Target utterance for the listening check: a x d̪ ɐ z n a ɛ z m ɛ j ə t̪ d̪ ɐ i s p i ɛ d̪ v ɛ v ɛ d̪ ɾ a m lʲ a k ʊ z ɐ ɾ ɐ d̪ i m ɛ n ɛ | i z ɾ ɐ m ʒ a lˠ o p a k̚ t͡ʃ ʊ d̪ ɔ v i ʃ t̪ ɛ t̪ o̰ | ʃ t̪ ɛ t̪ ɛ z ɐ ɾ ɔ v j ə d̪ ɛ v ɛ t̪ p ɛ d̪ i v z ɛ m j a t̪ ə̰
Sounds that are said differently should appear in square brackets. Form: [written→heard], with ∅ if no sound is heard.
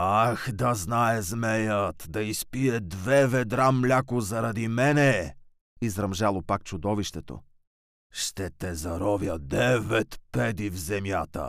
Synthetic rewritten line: a x d̪ ɐ z n a ɛ z m ɛ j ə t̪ d̪ ɐ i s p i ɛ d̪ v ɛ v ɛ d̪ ɾ a m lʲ a k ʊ z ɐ ɾ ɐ d̪ i m ɛ n ɛ | i z ɾ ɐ m ʒ a lˠ o p a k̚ t͡ʃ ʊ d̪ ɔ v i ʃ t̪ ɛ t̪ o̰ | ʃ t̪ ɛ t̪ ɛ z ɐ ɾ ɔ v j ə d̪ ɛ v ɛ t̪ p ɛ d̪ i v z ɛ m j a t̪ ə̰